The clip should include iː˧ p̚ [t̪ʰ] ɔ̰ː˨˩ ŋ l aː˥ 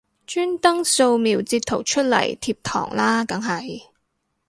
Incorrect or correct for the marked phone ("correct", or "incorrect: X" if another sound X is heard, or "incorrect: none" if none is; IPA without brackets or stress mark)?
correct